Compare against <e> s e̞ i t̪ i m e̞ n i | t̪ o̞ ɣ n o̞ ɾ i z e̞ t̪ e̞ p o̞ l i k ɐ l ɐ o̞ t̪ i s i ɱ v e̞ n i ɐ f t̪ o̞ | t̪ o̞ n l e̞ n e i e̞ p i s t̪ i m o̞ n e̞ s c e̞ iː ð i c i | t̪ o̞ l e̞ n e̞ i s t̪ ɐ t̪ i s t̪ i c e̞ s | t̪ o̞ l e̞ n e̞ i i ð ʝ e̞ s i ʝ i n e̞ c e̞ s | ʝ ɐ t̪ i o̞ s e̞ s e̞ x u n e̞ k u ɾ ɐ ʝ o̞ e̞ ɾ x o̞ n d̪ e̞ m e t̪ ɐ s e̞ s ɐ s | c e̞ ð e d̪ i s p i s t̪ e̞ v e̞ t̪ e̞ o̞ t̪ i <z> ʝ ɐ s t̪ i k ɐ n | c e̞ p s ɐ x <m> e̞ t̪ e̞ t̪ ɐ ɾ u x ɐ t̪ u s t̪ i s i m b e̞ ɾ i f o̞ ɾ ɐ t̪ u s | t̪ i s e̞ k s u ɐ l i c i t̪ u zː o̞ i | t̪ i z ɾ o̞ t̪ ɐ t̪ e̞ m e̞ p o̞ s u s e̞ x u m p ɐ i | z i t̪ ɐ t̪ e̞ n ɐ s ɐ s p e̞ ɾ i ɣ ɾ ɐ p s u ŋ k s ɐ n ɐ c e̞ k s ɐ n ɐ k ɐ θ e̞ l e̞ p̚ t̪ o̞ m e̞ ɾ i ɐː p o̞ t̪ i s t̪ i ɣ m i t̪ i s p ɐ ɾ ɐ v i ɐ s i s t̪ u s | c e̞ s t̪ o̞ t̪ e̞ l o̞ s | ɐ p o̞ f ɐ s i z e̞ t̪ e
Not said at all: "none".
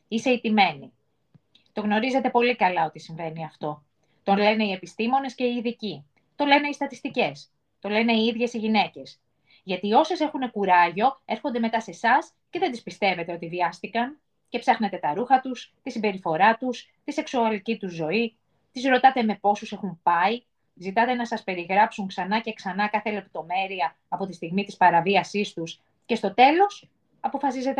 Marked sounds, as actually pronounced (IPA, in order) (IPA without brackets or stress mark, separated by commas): i, v, n